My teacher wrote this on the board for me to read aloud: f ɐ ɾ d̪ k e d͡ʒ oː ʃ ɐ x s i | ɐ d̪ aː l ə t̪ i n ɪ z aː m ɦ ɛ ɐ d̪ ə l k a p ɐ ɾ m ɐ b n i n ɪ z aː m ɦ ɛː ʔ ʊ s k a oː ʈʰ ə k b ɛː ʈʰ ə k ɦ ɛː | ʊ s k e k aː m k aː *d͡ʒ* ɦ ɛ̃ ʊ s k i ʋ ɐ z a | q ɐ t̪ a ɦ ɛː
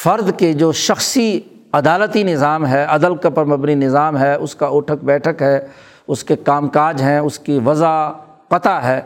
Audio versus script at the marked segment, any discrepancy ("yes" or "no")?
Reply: no